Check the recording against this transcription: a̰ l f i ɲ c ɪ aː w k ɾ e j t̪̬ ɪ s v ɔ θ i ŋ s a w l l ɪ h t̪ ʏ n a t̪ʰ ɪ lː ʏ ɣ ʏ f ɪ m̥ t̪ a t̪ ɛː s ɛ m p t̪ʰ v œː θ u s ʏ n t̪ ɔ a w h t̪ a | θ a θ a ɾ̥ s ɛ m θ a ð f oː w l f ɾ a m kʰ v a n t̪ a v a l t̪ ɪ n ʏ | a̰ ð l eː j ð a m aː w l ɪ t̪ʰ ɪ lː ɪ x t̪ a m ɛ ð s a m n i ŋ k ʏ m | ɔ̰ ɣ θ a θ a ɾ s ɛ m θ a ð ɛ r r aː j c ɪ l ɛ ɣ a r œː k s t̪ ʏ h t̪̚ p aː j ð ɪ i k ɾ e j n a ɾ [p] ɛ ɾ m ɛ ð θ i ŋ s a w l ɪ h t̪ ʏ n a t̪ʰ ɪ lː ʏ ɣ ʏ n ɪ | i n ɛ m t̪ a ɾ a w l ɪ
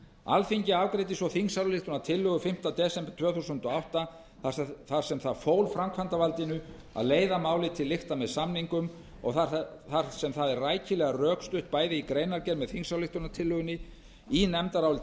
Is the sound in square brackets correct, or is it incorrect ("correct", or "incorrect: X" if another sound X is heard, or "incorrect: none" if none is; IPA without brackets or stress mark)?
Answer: incorrect: c